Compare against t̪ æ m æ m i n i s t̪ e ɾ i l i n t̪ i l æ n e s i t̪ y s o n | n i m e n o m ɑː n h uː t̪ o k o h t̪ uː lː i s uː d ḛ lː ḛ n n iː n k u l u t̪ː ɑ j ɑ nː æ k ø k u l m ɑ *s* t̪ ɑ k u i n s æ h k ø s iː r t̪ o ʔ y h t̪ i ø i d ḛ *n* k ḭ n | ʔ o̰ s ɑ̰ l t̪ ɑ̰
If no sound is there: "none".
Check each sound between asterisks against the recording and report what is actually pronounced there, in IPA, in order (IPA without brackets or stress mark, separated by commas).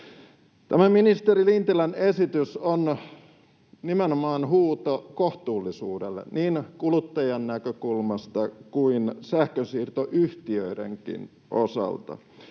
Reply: s, ŋ